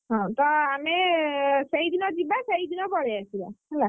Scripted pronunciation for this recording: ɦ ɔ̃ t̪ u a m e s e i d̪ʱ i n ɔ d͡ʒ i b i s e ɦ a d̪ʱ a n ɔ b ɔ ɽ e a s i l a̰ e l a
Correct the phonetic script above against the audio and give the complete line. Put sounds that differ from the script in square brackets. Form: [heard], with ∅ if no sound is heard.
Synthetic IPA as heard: ɦ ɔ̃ t̪ [ɔ] a m e s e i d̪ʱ i n ɔ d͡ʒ i b [a] s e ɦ [i] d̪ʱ [i] n ɔ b ɔ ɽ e a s i l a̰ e l a

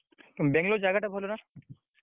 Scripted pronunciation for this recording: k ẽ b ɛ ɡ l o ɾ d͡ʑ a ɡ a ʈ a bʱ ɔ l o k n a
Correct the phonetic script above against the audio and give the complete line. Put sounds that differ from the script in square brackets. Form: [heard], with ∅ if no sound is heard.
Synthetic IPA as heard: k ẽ b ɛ [ŋ] l o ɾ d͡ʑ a ɡ a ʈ a bʱ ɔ l o [∅] n a

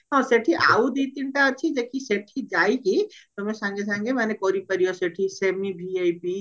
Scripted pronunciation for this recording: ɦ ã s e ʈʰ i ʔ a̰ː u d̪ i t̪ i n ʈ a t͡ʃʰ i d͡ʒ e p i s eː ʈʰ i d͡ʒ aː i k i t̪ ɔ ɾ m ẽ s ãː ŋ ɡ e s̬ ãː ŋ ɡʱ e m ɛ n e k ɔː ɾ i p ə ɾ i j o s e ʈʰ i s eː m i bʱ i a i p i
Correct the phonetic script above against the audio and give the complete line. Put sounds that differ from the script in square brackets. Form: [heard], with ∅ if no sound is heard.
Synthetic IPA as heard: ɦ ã s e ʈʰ i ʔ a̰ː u d̪ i t̪ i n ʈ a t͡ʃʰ i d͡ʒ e [k] i s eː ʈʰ i d͡ʒ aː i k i t̪ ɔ [∅] m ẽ s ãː ŋ ɡ e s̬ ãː ŋ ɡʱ e m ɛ n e k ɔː ɾ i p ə ɾ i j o s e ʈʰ i s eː m i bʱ i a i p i

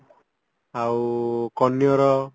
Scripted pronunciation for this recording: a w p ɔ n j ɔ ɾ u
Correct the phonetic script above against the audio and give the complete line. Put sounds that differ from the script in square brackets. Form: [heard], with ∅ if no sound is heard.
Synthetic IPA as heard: a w [k] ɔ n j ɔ ɾ [ɔ]

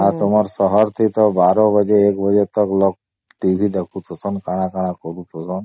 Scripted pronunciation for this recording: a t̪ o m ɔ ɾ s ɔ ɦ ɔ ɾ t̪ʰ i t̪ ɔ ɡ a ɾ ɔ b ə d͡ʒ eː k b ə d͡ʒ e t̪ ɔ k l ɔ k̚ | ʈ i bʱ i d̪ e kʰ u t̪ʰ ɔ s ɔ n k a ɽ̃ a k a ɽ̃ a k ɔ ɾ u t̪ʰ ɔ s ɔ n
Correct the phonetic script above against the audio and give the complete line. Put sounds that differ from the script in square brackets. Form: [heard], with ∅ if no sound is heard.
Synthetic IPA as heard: a t̪ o m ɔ ɾ s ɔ ɦ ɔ ɾ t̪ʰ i t̪ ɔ [b] a ɾ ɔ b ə d͡ʒ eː k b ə d͡ʒ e t̪ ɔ k l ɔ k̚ | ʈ i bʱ i d̪ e kʰ u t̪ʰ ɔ s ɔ n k a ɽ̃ a k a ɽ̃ a k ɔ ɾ u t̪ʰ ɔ s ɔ n

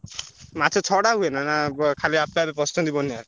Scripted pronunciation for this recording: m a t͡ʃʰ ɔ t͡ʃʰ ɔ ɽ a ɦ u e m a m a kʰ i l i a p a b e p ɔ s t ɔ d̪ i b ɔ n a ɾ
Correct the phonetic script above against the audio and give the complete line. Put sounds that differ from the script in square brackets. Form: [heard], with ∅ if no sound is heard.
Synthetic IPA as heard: m a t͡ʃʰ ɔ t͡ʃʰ ɔ ɽ a ɦ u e [n] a [n] a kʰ [a] l i a p a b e p ɔ s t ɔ d̪ i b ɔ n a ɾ

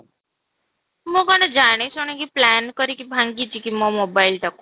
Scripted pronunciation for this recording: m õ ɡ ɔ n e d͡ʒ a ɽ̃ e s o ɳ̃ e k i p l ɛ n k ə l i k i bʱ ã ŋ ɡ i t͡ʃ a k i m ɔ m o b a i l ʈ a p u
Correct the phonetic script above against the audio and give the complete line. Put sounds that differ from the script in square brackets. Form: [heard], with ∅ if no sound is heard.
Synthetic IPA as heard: m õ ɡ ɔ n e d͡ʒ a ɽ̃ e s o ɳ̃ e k i p l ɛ n k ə [ɾ] i k i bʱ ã ŋ ɡ i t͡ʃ [i] k i m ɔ m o b a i l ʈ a [k] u

